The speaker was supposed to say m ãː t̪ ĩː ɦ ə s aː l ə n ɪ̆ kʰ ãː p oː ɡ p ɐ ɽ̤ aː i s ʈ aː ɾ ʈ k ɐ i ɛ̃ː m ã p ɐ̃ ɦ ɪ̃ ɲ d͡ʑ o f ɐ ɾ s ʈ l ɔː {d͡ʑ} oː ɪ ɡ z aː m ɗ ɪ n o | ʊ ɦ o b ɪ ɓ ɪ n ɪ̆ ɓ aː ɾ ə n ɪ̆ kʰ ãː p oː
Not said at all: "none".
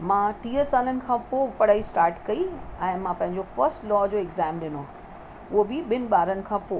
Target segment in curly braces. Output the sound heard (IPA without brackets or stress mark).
d͡ʑ